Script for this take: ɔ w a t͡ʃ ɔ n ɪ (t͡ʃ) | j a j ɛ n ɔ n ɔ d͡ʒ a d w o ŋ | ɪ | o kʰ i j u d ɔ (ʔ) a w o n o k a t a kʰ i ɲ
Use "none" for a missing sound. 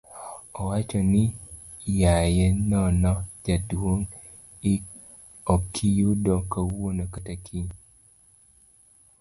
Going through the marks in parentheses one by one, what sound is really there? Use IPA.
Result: none, k

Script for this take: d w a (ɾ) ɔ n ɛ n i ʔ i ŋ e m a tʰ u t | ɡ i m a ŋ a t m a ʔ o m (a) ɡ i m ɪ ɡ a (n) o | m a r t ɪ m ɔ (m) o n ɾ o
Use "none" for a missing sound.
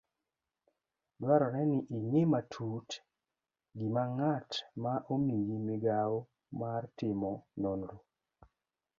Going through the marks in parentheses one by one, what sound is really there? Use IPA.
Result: ɾ, i, none, n

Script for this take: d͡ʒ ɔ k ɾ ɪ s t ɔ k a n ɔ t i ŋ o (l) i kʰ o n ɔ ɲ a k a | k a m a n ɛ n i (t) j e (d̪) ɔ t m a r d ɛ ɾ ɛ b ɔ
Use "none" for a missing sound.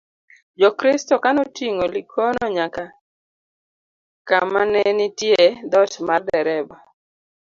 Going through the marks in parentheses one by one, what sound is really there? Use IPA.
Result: l, t, d̪

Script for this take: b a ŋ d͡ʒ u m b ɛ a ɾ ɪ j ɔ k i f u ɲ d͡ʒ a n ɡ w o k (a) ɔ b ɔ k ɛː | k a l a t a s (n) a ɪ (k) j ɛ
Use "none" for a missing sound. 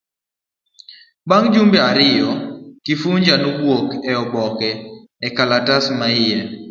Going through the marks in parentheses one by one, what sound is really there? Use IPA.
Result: ɛ, m, none

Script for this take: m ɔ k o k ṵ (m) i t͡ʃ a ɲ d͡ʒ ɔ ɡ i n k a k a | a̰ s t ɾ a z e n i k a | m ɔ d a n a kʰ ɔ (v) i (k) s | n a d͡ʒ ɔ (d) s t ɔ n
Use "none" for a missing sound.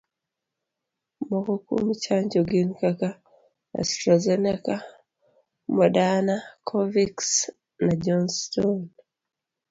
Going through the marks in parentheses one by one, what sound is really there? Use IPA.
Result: m, v, k, n

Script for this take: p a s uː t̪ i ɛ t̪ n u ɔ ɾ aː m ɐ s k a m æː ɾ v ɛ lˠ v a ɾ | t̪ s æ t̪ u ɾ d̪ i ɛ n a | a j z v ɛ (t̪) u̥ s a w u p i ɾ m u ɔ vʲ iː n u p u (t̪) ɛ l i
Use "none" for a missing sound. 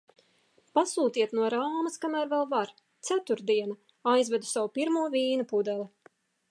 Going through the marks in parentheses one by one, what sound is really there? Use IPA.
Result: d̪, d̪

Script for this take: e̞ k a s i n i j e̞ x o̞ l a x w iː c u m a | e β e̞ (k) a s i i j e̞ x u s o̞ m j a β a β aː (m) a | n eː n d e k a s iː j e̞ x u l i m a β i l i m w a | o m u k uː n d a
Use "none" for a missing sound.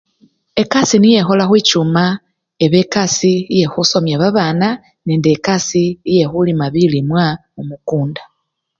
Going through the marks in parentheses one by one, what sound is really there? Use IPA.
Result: k, n

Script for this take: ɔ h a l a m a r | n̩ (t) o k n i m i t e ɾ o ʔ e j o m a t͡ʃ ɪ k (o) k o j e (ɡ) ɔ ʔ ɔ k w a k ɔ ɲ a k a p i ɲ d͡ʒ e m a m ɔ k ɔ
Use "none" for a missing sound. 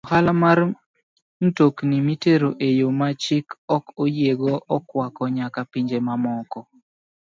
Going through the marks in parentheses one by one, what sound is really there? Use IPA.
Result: t, ɔ, ɡ

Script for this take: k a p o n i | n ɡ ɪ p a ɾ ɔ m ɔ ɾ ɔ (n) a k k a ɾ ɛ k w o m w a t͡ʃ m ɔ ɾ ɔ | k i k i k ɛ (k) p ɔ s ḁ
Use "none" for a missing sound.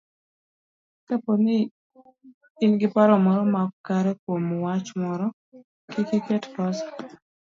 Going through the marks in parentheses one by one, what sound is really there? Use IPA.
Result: m, t

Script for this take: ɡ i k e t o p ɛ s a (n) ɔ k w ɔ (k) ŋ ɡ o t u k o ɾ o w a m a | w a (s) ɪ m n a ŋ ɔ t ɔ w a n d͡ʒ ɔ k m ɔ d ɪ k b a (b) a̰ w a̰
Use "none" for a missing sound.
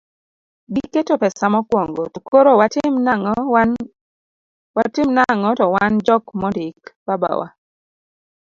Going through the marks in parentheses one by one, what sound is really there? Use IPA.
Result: m, none, t, b

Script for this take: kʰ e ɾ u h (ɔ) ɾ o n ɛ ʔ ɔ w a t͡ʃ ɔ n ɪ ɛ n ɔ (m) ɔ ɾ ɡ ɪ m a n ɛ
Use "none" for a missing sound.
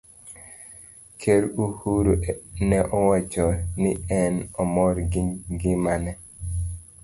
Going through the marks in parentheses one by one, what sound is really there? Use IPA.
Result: u, m

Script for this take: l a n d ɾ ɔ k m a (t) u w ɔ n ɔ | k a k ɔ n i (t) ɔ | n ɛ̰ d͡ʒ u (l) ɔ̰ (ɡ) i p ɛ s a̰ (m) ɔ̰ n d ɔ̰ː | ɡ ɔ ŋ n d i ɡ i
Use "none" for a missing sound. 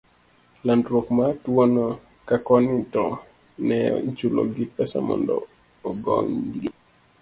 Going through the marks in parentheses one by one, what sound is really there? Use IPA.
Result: t, t, l, ɡ, m

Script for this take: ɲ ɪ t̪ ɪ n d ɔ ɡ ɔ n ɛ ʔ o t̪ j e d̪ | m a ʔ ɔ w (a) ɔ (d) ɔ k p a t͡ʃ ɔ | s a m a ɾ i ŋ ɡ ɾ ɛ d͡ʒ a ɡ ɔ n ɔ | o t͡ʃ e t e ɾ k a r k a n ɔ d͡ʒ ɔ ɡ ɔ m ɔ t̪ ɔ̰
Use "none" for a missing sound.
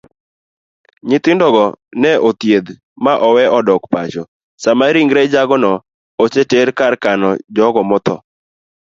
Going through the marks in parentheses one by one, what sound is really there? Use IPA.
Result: ɛ, d

